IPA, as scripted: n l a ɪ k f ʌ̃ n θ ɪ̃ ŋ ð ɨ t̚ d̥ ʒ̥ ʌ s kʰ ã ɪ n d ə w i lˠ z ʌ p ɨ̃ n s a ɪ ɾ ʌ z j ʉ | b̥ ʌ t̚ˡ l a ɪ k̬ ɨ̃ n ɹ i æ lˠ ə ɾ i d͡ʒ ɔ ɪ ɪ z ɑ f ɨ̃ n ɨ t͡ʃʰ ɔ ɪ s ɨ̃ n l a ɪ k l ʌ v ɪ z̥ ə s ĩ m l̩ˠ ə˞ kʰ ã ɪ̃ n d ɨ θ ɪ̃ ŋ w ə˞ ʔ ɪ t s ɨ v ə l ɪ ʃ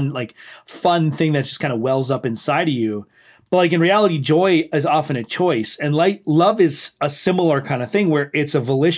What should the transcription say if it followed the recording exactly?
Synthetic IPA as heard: n l a ɪ k f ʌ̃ n θ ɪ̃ ŋ ð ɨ t̚ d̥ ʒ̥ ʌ s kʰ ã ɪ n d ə w ɛ lˠ z ʌ p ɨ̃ n s a ɪ ɾ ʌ v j ʉ | b̥ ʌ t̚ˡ l a ɪ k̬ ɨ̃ n ɹ i æ lˠ ə ɾ i d͡ʒ ɔ ɪ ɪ z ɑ f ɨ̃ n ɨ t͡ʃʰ ɔ ɪ s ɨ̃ n l a ɪ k l ʌ v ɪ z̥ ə s ɪ̃ m l̩ˠ ə˞ kʰ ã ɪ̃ n d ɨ θ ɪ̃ ŋ w ə˞ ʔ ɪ t s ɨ v ə l ɪ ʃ